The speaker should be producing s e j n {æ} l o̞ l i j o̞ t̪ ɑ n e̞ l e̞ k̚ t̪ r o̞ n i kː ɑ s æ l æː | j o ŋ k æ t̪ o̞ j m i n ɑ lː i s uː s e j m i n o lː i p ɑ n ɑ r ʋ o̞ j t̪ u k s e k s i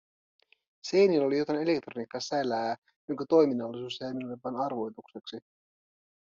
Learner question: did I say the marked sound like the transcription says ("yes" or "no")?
no